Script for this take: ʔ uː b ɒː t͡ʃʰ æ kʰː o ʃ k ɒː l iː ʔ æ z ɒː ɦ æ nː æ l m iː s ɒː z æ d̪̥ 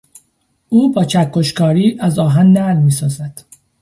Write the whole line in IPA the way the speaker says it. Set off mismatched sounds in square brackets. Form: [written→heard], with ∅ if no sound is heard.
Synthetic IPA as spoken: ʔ uː b ɒː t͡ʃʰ æ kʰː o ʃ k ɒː [l→ɾ] iː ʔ æ z ɒː ɦ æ nː æ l m iː s ɒː z æ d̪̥